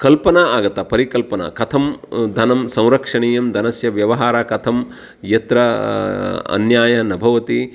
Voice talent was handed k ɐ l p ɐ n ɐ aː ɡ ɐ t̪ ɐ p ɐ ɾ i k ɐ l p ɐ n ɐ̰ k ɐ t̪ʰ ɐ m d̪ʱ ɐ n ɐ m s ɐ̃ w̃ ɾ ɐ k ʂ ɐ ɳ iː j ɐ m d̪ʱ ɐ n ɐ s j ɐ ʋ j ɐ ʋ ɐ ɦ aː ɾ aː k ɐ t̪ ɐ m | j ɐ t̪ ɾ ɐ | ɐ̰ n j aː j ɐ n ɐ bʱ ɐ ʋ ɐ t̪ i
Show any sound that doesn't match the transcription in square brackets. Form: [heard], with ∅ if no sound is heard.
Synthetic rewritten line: k ɐ l p ɐ n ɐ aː ɡ ɐ t̪ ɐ p ɐ ɾ i k ɐ l p ɐ n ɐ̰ k ɐ t̪ʰ ɐ m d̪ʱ ɐ n ɐ m s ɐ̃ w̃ ɾ ɐ k ʂ ɐ ɳ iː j ɐ m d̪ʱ ɐ n ɐ s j ɐ ʋ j ɐ ʋ ɐ ɦ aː ɾ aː k ɐ [t̪ʰ] ɐ m | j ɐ t̪ ɾ ɐ | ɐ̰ n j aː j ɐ n ɐ bʱ ɐ ʋ ɐ t̪ i